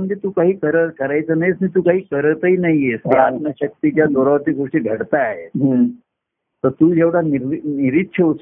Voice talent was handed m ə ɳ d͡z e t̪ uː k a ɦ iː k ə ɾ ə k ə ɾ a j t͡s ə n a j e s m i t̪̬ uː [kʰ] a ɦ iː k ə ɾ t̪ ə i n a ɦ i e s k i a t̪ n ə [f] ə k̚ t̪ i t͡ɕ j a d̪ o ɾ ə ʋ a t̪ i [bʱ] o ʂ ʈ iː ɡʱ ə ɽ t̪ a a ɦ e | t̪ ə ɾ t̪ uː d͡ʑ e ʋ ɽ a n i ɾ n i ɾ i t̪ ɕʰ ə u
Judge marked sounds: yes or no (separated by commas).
no, no, no